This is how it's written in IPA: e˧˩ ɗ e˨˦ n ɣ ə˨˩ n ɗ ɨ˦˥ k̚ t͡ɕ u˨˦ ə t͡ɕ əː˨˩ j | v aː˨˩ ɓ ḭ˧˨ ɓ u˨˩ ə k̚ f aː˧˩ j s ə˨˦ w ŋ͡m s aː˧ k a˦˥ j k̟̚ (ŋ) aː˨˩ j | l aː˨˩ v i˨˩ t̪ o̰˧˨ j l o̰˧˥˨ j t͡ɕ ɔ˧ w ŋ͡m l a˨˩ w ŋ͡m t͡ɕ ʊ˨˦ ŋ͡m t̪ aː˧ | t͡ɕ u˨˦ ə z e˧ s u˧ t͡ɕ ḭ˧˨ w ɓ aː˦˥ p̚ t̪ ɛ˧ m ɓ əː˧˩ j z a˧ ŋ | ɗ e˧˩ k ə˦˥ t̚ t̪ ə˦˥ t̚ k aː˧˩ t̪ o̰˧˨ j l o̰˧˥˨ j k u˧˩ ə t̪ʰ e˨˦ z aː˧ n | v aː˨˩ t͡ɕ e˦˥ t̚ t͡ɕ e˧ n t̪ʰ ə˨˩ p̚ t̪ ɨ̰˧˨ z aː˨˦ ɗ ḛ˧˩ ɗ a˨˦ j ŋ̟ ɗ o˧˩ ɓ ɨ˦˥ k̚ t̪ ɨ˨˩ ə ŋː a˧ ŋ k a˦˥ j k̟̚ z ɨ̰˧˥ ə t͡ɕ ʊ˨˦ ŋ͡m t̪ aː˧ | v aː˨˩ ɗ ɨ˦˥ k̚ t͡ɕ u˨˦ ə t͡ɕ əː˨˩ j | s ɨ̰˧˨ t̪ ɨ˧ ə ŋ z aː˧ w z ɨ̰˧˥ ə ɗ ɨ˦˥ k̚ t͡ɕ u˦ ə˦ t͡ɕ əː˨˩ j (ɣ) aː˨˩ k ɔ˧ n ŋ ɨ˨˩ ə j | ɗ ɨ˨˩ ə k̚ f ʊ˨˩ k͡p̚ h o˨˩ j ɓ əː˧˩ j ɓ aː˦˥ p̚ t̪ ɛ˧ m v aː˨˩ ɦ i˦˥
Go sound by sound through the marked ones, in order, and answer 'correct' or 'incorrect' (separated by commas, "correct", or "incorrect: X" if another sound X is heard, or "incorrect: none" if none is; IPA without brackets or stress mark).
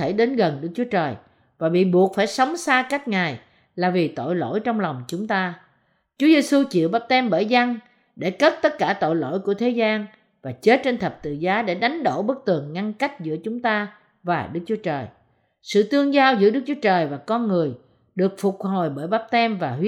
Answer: correct, incorrect: v